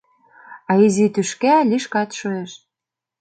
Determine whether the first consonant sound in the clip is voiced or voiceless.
voiced